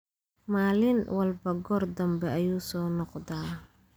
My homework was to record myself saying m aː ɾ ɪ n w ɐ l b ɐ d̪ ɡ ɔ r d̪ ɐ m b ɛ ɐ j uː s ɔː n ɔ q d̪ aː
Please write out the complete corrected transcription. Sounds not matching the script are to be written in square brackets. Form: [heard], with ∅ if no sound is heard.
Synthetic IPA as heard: m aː [l] ɪ n w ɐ l b ɐ [∅] ɡ ɔ r d̪ ɐ m b ɛ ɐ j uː s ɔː n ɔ q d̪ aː